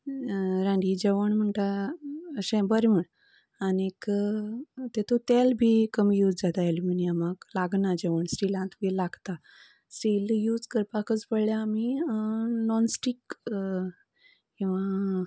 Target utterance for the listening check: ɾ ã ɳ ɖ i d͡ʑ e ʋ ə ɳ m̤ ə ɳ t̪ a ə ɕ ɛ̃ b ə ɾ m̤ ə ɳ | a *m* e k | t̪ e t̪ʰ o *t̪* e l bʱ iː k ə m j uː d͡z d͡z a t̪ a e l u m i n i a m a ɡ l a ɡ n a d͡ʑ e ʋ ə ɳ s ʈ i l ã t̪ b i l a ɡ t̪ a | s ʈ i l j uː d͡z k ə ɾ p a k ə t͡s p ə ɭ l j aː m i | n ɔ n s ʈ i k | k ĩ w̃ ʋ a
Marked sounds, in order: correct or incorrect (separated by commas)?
incorrect, correct